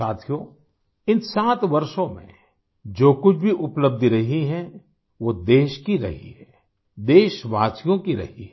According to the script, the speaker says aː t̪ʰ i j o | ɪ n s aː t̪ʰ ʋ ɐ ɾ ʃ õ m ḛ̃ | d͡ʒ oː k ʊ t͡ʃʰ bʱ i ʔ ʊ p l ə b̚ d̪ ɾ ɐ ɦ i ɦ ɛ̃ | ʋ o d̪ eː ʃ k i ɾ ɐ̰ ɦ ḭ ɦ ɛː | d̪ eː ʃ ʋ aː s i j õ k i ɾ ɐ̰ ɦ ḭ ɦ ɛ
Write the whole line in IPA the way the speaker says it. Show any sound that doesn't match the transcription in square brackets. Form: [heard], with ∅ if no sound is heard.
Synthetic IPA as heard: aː t̪ʰ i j o | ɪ n s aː [t̪] ʋ ɐ ɾ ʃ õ m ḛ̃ | d͡ʒ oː k ʊ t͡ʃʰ bʱ i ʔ ʊ p l ə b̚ d̪ ɾ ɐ ɦ i ɦ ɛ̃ | ʋ o d̪ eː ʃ k i ɾ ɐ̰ ɦ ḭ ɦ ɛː | d̪ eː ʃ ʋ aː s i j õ k i ɾ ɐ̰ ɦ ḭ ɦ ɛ